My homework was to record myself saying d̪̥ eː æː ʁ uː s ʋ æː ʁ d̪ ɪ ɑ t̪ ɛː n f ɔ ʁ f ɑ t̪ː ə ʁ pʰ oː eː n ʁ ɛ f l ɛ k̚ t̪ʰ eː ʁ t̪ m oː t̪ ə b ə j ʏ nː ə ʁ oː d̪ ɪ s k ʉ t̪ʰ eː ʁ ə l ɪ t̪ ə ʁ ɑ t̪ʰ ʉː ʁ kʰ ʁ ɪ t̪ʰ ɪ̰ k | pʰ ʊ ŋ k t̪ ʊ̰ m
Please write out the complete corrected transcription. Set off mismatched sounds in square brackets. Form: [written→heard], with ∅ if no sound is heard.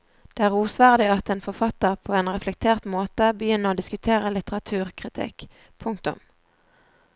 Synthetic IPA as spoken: d̪̥ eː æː ʁ uː s ʋ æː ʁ d̪ ɪ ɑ t̪ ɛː n f ɔ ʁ f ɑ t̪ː ə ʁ pʰ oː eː n ʁ ɛ f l ɛ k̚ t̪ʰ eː ʁ t̪ m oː t̪ ə b ə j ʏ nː ə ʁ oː d̪ ɪ s k ʉ t̪ʰ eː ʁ ə l ɪ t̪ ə ʁ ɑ t̪ʰ ʉː ʁ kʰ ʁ ɪ t̪ʰ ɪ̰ k | pʰ ʊ ŋ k t̪ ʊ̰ m